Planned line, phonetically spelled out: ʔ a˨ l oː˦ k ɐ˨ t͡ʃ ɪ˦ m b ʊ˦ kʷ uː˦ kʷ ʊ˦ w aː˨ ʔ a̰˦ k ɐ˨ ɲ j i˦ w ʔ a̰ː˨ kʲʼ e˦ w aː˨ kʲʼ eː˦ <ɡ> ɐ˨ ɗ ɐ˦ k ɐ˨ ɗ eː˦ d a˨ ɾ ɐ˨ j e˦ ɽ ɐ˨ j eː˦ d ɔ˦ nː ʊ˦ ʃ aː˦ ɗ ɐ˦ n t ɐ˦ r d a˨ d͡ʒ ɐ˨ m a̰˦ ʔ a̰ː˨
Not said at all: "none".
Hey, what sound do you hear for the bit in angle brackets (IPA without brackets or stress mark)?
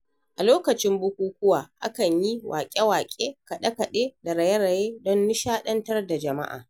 k